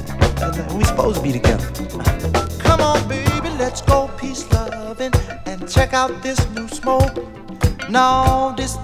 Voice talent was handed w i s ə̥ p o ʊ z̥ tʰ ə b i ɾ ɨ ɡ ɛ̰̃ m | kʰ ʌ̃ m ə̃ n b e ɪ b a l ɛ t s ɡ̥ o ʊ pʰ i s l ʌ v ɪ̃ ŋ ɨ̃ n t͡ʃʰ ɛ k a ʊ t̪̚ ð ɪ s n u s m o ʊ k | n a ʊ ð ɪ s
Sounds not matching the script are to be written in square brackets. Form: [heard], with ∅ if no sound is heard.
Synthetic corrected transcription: w i s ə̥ p o ʊ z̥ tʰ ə b i ɾ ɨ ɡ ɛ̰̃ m | kʰ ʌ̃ m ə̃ n b e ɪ b [i] l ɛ t s ɡ̥ o ʊ pʰ i s l ʌ v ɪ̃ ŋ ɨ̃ n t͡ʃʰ ɛ k a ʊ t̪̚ ð ɪ s n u s m o ʊ k | n a ʊ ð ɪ s